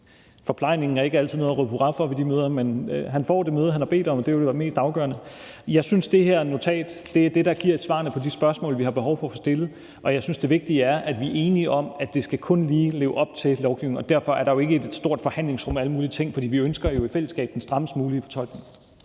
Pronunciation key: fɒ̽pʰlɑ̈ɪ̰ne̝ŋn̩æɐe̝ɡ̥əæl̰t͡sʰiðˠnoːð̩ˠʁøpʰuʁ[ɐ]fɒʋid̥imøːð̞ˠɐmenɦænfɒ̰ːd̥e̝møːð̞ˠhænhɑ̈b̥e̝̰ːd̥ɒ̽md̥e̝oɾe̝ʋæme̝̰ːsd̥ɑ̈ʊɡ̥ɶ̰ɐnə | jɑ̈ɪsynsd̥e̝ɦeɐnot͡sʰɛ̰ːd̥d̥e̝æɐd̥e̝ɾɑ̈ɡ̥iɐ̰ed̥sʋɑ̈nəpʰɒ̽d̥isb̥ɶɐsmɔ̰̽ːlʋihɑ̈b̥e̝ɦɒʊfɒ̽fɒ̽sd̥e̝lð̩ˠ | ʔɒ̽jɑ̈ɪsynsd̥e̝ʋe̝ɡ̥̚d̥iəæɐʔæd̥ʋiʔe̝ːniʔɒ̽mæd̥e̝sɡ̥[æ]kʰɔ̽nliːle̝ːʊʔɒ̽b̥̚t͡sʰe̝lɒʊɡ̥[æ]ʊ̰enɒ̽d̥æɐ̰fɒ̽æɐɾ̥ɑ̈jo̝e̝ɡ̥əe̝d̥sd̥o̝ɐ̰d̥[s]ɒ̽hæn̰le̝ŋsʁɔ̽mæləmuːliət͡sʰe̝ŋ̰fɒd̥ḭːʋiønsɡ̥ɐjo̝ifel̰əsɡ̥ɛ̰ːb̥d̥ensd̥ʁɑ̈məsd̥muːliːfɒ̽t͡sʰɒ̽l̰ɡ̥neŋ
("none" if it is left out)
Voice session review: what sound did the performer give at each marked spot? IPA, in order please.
ɑ, æ, i, f

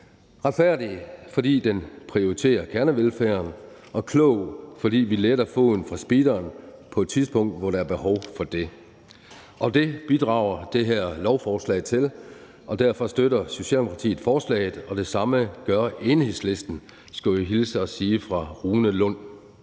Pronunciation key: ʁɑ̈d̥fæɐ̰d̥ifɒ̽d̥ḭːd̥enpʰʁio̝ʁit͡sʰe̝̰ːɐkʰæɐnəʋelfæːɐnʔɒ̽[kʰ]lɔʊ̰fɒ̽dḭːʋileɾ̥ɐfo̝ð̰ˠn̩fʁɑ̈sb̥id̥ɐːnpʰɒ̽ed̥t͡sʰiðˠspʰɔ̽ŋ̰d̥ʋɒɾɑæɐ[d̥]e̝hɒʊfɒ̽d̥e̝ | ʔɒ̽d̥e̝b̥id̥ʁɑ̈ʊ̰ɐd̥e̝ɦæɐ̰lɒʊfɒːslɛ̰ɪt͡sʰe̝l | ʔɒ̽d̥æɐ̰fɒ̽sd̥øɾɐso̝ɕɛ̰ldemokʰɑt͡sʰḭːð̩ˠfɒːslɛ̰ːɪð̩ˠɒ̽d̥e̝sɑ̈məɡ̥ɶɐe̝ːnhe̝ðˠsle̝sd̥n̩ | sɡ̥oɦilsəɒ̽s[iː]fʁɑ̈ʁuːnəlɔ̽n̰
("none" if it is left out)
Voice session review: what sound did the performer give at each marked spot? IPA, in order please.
kʰ, b̥, iː

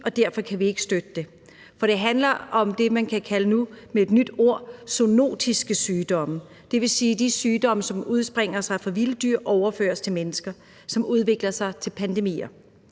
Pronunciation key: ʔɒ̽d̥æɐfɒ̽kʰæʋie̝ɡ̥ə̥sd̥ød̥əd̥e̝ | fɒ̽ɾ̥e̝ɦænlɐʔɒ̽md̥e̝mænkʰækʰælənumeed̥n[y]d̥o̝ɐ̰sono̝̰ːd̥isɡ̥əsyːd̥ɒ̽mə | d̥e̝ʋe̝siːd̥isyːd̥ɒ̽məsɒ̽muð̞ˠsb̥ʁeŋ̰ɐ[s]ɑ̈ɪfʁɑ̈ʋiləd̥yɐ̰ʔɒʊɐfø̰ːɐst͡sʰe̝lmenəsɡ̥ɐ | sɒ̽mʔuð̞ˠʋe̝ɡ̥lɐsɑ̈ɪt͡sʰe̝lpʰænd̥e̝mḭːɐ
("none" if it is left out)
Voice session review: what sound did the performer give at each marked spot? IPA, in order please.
y, s

